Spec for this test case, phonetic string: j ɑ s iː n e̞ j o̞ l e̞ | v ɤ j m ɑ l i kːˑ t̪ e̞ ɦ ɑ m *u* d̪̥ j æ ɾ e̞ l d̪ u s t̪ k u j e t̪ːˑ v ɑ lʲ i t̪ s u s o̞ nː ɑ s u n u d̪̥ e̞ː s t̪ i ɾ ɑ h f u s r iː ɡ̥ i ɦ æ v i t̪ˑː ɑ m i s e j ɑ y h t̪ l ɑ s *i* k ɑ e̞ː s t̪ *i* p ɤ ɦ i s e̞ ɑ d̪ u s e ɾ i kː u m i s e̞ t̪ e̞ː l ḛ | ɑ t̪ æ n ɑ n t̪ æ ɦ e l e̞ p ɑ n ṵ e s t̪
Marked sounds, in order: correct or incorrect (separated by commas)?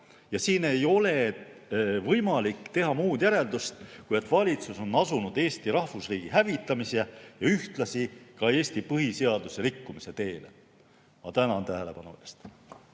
incorrect, correct, correct